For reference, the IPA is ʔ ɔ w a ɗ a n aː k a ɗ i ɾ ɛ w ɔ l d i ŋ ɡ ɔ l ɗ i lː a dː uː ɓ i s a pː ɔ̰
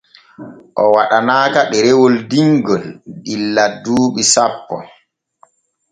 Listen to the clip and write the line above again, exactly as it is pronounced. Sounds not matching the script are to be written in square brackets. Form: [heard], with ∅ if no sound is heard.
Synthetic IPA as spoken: ʔ ɔ w a ɗ a n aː k a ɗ [ɛ] ɾ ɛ w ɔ l d i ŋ ɡ ɔ l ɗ i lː a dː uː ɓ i s a pː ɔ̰